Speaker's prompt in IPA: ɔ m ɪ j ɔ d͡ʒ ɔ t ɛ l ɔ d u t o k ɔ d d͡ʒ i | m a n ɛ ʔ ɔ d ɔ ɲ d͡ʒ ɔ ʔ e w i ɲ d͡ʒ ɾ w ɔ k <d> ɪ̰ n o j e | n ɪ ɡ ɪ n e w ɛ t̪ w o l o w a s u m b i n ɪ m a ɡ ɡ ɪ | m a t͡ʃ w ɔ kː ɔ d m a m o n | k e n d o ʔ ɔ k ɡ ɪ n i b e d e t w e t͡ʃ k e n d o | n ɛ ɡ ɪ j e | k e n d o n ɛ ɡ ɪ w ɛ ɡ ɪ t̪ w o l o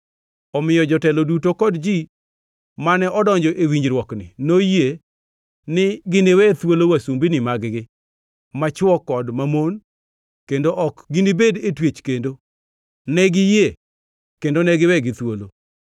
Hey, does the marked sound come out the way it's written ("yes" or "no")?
no